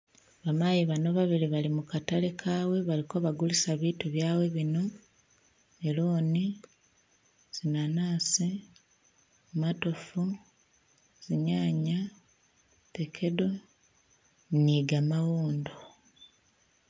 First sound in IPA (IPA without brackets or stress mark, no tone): β